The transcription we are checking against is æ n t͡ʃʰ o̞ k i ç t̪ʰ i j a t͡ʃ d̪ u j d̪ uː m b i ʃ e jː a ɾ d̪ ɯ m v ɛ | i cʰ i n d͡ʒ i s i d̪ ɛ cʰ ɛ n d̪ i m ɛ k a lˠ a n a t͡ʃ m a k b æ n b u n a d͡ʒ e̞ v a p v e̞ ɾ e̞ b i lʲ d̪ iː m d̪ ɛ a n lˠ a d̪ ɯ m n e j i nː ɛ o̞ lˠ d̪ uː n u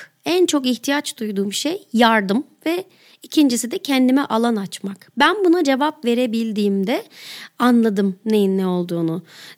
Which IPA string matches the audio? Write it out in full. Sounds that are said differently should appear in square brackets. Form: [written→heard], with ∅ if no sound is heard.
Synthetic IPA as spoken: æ n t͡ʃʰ o̞ k i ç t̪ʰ i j a t͡ʃ d̪ u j d̪ uː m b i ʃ e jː a ɾ d̪ ɯ m v ɛ | i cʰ i n d͡ʒ i s i d̪ ɛ cʰ ɛ n d̪ i m ɛ [k→ʔ] a lˠ a n a t͡ʃ m a k b æ n b u n a d͡ʒ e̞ v a p v e̞ ɾ e̞ b i lʲ d̪ iː m d̪ ɛ a n lˠ a d̪ ɯ m n e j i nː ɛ o̞ lˠ d̪ uː n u